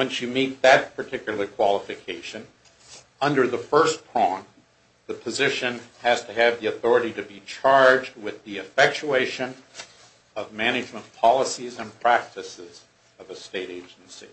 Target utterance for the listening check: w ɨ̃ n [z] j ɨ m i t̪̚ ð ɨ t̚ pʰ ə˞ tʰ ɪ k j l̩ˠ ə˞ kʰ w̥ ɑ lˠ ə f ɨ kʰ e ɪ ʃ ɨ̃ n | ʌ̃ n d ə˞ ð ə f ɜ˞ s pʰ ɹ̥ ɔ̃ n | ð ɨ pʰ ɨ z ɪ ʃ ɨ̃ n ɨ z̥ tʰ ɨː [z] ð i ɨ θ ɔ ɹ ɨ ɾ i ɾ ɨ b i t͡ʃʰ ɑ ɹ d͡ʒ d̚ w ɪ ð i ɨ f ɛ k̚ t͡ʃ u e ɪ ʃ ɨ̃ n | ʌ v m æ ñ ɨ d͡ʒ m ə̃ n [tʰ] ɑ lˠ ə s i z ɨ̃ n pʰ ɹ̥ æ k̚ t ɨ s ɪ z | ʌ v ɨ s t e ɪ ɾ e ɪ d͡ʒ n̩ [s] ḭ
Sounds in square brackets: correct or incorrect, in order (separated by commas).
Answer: incorrect, incorrect, incorrect, correct